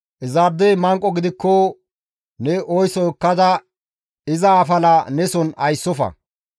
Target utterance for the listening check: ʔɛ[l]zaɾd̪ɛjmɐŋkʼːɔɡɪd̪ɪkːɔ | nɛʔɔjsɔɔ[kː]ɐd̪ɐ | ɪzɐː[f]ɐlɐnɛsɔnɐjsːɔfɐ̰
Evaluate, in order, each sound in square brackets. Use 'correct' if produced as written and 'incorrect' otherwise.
incorrect, correct, correct

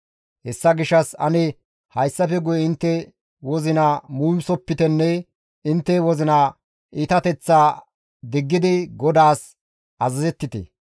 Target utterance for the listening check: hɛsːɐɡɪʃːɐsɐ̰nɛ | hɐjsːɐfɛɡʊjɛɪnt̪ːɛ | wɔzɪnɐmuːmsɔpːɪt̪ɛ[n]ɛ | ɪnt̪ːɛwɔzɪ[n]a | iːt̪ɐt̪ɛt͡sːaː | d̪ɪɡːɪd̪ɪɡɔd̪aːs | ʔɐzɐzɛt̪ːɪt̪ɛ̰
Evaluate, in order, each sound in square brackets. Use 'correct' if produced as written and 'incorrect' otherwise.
incorrect, correct

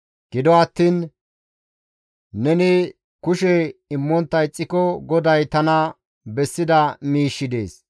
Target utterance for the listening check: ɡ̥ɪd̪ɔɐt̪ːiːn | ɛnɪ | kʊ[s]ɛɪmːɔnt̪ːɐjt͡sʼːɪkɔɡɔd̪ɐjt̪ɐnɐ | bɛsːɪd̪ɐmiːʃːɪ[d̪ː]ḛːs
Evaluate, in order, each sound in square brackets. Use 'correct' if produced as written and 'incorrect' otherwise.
incorrect, incorrect

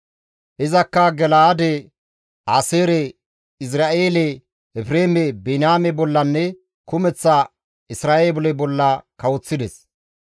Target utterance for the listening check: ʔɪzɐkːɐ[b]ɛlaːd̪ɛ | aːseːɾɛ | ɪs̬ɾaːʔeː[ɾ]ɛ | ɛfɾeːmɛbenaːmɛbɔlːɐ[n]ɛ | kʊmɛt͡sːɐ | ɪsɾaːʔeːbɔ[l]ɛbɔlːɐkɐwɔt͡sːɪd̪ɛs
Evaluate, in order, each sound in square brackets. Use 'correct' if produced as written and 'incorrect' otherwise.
incorrect, incorrect, incorrect, correct

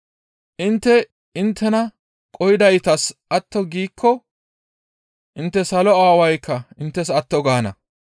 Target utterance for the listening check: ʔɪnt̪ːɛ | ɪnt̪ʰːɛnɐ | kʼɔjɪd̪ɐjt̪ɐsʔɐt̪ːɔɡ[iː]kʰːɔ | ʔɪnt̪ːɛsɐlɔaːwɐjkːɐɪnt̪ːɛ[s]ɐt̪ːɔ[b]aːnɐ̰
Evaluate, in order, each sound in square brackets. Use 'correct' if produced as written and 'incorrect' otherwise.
correct, correct, incorrect

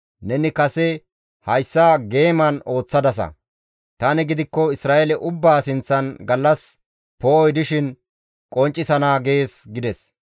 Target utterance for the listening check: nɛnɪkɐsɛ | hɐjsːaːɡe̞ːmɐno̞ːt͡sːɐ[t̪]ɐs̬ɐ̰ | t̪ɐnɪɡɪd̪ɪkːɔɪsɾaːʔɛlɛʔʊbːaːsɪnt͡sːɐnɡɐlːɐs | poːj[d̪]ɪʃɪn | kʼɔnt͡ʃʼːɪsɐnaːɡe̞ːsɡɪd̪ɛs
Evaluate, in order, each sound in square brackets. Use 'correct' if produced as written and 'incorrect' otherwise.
incorrect, correct

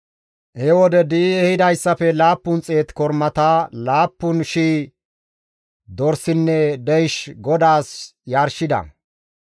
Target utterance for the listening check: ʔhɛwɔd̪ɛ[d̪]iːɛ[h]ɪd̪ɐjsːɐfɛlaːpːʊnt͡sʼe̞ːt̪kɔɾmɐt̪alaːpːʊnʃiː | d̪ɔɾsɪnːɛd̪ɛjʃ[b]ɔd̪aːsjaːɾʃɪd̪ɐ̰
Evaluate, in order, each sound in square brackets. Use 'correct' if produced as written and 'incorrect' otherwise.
correct, correct, incorrect

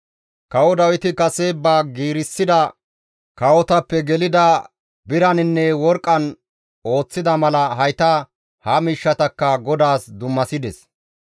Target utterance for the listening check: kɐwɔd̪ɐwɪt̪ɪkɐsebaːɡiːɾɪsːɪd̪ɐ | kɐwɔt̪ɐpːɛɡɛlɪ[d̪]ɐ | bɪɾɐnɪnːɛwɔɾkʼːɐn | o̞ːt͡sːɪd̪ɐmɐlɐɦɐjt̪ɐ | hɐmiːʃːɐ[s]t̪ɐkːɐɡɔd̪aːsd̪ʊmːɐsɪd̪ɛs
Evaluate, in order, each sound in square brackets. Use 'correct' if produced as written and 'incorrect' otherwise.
correct, incorrect

